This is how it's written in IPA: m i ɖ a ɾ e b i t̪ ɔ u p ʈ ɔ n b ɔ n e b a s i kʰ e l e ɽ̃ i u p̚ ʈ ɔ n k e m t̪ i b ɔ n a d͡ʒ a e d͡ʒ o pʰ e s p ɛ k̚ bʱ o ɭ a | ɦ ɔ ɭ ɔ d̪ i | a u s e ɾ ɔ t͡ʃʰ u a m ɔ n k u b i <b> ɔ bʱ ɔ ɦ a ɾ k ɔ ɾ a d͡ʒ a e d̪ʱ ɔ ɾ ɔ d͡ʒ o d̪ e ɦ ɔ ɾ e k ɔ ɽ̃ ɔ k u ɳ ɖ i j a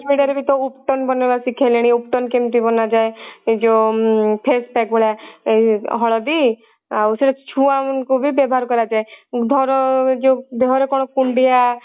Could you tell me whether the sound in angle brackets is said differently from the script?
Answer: no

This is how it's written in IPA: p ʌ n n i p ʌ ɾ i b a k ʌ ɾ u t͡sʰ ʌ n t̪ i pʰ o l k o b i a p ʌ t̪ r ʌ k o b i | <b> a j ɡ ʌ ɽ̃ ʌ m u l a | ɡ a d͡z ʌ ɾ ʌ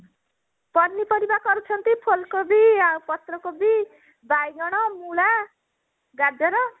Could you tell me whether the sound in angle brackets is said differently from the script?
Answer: no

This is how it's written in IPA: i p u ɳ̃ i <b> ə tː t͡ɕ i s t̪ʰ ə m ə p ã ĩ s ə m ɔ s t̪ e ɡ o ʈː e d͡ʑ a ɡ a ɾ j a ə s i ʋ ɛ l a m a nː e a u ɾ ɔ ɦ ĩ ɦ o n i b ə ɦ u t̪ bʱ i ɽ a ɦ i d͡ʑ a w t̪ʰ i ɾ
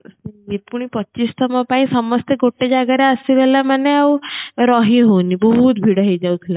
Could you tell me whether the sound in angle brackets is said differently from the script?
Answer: yes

